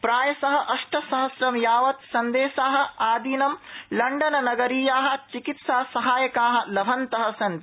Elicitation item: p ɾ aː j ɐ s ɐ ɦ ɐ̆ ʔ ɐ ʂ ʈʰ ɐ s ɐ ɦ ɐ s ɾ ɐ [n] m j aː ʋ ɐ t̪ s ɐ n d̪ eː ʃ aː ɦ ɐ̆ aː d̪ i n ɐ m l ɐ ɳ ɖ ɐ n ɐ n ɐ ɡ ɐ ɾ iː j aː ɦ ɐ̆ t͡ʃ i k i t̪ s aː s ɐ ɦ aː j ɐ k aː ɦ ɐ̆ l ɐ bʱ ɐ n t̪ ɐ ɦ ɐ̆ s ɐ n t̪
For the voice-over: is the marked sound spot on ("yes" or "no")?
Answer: no